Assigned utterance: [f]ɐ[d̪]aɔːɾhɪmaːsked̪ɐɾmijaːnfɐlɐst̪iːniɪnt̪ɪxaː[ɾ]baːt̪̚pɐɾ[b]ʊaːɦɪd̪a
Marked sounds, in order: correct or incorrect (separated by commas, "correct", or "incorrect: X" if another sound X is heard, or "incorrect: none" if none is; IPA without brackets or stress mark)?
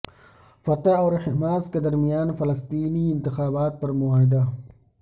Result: correct, incorrect: t̪, incorrect: none, incorrect: m